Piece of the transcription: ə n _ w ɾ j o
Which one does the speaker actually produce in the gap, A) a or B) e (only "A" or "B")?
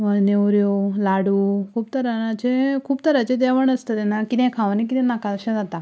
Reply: B